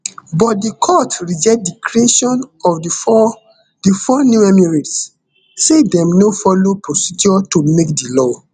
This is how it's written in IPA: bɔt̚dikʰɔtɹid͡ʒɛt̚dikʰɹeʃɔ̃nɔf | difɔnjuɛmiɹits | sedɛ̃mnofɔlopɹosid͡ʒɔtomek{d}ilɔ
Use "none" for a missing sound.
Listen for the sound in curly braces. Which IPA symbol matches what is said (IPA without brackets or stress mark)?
d